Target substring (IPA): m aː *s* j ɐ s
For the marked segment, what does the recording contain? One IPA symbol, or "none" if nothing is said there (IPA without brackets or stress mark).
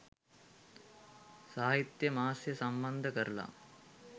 s